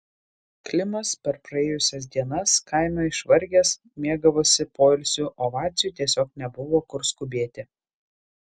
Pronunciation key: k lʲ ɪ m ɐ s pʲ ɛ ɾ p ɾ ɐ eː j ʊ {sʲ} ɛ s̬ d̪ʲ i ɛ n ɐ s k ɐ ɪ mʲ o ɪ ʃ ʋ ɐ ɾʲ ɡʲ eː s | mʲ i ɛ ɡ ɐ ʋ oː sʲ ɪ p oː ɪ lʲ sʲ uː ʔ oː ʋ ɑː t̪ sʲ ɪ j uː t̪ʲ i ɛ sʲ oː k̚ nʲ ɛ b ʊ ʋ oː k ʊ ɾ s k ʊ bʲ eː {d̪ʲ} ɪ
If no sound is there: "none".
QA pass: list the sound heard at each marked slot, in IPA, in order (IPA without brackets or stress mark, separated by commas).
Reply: sʲ, t̪ʲ